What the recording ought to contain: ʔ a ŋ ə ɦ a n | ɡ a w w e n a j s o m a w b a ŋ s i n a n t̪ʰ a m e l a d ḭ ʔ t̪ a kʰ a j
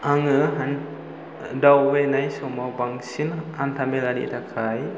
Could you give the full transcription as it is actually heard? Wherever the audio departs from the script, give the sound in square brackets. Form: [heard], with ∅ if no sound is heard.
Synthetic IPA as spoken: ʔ a ŋ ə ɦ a n | [d] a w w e n a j s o m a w b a ŋ s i n a n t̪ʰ a m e l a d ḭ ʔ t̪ a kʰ a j